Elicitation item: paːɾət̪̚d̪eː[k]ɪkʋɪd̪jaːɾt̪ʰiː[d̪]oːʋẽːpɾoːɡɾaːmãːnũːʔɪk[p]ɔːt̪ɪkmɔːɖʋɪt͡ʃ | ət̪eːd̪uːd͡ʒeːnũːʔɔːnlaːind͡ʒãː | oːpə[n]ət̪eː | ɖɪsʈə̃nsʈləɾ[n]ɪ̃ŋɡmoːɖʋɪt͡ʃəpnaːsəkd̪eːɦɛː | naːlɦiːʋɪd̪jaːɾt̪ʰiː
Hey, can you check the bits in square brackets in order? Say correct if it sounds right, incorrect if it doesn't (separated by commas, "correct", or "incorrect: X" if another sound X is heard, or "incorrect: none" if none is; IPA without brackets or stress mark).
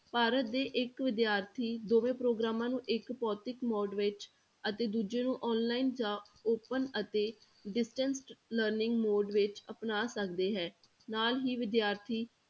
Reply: incorrect: ʔ, correct, correct, correct, correct